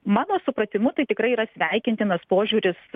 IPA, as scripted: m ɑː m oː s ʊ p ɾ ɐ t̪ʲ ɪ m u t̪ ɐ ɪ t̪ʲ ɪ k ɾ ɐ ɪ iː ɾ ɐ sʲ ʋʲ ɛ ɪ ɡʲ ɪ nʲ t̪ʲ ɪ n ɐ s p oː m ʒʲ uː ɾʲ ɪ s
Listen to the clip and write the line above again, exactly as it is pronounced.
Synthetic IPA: m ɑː n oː s ʊ p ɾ ɐ t̪ʲ ɪ m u t̪ ɐ ɪ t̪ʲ ɪ k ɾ ɐ ɪ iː ɾ ɐ sʲ ʋʲ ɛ ɪ kʲ ɪ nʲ t̪ʲ ɪ n ɐ s p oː ʒʲ uː ɾʲ ɪ s